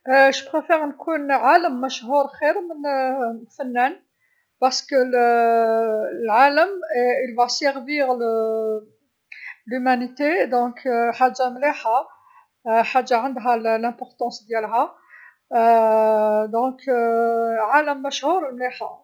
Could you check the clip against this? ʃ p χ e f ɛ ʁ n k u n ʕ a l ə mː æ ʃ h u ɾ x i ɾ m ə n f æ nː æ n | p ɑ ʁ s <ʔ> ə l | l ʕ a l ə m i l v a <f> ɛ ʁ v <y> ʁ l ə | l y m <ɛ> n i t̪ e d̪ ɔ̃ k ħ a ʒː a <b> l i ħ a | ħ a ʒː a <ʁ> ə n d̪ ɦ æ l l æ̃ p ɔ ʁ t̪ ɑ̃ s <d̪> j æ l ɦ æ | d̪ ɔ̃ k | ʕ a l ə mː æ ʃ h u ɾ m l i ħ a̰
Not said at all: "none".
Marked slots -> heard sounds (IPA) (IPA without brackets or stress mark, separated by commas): k, s, i, æ, m, ʕ, d̪